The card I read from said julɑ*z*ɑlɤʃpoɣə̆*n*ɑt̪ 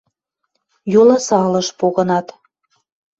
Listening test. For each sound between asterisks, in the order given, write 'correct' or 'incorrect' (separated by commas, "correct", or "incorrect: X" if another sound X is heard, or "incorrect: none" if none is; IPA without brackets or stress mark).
incorrect: s, correct